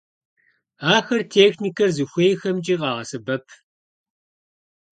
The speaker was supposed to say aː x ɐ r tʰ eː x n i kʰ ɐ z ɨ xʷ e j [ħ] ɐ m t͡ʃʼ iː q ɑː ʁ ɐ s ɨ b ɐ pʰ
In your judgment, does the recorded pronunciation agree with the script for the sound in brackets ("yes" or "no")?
no